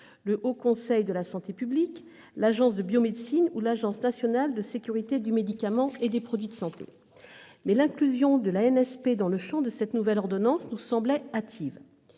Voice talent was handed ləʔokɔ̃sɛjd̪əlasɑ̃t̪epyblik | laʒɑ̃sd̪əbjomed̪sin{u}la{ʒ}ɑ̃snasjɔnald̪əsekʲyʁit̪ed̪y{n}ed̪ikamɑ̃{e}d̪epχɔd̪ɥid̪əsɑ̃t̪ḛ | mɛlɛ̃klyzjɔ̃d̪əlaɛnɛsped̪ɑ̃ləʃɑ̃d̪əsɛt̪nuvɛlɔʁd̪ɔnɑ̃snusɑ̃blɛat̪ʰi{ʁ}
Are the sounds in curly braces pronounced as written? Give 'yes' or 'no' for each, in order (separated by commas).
yes, yes, no, yes, no